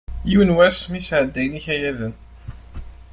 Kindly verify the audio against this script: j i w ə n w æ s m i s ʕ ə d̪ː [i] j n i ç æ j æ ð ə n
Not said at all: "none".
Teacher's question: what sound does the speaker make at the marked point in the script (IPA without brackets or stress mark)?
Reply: æ